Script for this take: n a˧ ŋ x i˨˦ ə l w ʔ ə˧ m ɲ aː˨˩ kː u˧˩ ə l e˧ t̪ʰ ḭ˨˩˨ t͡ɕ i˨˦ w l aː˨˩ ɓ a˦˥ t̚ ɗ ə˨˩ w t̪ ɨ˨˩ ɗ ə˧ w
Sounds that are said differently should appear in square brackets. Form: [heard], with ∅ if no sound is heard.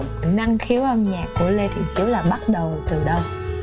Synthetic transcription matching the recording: n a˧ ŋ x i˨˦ ə [∅] w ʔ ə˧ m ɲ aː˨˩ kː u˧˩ ə l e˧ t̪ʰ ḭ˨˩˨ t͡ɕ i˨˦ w l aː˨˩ ɓ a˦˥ t̚ ɗ ə˨˩ w t̪ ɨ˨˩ ɗ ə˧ w